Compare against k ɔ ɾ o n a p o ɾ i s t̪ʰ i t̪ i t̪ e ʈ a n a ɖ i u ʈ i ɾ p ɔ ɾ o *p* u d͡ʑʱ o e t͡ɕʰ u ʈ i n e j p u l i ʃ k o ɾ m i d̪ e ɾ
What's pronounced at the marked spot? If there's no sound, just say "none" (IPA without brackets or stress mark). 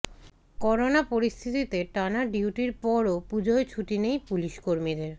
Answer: p